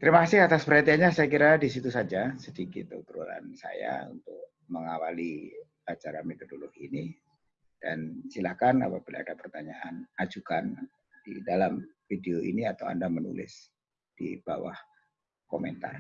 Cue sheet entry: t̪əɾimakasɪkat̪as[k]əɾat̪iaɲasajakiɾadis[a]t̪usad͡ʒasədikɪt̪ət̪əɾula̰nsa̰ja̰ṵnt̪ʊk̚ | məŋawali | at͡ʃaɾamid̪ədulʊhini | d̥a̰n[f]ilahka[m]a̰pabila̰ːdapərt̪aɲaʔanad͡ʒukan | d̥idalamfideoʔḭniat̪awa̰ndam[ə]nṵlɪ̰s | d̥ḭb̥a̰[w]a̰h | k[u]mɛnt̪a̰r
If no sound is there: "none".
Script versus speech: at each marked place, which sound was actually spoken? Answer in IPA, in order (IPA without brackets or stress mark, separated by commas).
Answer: p, i, s, n, ə, w, o